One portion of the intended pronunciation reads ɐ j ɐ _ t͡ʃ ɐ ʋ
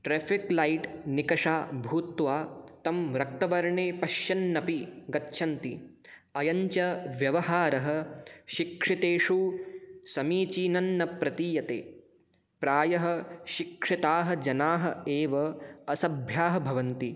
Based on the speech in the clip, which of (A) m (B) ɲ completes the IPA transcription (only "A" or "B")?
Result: B